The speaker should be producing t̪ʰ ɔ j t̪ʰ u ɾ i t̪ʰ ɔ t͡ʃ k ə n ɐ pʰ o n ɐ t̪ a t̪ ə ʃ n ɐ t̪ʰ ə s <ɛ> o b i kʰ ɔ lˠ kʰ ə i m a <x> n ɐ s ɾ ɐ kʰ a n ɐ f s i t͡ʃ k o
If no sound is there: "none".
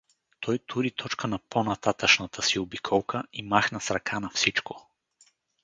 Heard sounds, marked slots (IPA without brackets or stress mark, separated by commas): i, x